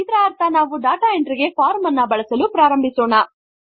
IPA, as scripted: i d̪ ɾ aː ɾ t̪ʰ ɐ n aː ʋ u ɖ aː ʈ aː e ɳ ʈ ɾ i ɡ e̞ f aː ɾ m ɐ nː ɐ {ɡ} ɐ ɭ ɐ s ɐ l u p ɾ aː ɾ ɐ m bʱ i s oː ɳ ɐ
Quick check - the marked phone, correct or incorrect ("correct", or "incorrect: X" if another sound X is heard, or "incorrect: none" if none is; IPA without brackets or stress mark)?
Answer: incorrect: b